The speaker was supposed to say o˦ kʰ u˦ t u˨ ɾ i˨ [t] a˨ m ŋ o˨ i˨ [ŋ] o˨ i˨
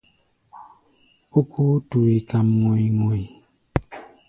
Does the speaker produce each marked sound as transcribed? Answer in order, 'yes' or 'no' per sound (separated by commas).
no, yes